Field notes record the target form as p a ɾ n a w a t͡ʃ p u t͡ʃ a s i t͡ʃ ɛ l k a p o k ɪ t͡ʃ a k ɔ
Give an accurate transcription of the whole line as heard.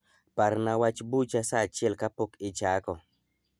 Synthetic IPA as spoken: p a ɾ n a w a t͡ʃ b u t͡ʃ a s a t͡ʃ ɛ l k a p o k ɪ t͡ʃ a k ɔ

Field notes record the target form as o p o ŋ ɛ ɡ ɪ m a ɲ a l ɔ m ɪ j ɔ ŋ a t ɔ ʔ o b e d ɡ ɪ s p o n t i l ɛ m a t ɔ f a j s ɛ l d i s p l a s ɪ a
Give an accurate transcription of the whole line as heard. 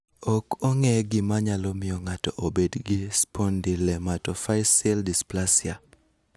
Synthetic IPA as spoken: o k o ŋ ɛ ɡ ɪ m a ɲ a l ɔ m ɪ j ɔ ŋ a t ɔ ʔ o b e d ɡ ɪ s p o n d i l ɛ m a t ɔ f a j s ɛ l d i s p l a s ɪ a

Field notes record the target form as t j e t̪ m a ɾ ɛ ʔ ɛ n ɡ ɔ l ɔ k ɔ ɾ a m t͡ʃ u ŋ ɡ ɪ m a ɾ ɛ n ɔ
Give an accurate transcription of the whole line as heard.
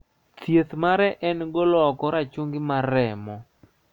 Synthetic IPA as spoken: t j e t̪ m a ɾ ɛ ʔ ɛ n ɡ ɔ l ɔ k ɔ ɾ a t͡ʃ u ŋ ɡ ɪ m a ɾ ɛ m ɔ

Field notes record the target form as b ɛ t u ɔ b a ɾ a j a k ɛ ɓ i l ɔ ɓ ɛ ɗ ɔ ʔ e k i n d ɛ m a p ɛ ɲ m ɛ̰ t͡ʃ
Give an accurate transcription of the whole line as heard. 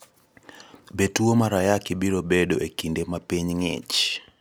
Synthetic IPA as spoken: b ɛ t u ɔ m a ɾ a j a k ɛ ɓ i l ɔ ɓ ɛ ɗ ɔ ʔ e k i n d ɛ m a p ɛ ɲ ŋ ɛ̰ t͡ʃ

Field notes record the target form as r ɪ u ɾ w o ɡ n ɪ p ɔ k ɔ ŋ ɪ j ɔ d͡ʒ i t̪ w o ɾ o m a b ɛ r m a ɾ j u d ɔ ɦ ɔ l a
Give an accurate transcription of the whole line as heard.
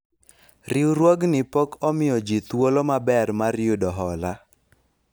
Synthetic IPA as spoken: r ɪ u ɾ w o ɡ n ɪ p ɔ k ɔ m ɪ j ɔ d͡ʒ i t̪ w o l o m a b ɛ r m a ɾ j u d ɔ ɦ ɔ l a

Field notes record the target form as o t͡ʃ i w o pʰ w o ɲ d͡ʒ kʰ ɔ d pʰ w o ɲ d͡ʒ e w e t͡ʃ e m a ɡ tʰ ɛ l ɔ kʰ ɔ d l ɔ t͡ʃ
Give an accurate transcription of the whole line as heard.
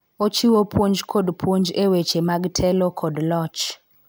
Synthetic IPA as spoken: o t͡ʃ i w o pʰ w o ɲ d͡ʒ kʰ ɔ d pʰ w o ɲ d͡ʒ e w e t͡ʃ e m a ɡ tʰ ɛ l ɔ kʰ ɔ d l ɔ t͡ʃ

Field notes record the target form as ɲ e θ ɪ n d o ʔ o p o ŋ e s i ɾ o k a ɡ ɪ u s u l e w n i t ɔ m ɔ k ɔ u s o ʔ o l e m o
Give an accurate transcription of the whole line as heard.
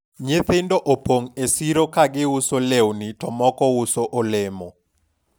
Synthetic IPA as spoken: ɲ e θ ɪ n d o ʔ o p o ŋ e s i ɾ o k a ɡ ɪ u s o l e w n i t ɔ m ɔ k ɔ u s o ʔ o l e m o

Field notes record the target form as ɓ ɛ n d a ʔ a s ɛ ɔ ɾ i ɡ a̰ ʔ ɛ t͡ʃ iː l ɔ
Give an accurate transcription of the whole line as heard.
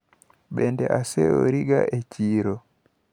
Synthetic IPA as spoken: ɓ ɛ n d ɛ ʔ a s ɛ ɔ ɾ i ɡ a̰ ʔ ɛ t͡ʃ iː ɾ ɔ

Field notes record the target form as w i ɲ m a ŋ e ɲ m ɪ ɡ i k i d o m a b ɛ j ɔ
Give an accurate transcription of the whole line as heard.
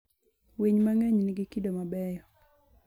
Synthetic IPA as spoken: w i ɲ m a ŋ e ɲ n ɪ ɡ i k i d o m a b ɛ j ɔ

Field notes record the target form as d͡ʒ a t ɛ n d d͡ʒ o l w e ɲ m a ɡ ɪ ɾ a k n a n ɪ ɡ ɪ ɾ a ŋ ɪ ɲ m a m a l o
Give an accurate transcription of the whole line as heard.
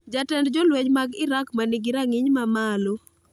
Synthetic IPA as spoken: d͡ʒ a t ɛ n d d͡ʒ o l w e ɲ m a ɡ ɪ ɾ a k m a n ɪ ɡ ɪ ɾ a ŋ ɪ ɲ m a m a l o

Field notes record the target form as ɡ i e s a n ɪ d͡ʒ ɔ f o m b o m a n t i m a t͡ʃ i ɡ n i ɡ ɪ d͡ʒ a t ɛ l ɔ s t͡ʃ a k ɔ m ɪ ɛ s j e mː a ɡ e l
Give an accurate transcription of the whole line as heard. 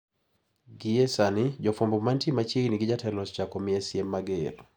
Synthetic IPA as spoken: ɡ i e s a n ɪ d͡ʒ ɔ f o m b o m a n t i m a t͡ʃ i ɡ n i ɡ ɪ d͡ʒ a t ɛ l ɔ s t͡ʃ a k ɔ m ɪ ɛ s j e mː a ɡ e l

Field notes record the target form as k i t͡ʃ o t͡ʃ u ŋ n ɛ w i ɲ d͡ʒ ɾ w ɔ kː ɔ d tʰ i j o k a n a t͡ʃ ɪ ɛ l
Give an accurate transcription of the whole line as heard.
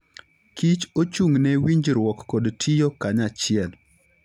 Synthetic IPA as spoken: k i t͡ʃ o t͡ʃ u ŋ n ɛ w i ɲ d͡ʒ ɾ w ɔ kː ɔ d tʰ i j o k a ɲ a t͡ʃ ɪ ɛ l

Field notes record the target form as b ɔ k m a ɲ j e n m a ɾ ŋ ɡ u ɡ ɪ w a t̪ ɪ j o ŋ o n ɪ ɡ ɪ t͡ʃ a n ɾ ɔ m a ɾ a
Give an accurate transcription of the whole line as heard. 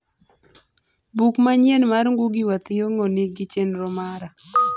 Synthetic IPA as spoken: b u k m a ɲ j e n m a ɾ ŋ ɡ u ɡ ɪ w a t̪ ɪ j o ŋ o n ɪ ɡ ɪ t͡ʃ e n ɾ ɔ m a ɾ a

